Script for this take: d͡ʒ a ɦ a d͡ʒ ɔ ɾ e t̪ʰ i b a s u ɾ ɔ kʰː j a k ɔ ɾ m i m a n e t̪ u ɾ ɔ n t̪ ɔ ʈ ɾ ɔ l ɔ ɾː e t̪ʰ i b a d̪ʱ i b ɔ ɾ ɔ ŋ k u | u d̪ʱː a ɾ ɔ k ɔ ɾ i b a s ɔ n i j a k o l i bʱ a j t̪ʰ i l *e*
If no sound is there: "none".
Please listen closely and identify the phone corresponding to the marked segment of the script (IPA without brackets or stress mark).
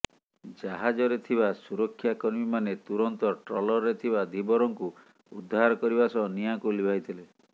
e